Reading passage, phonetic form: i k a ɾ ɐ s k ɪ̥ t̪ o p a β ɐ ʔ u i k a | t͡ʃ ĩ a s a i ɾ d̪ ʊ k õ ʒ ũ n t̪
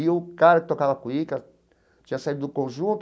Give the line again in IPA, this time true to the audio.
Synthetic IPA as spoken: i k a ɾ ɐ k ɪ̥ t̪ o k a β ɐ k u i k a | t͡ʃ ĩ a s a i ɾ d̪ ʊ k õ ʒ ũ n t̪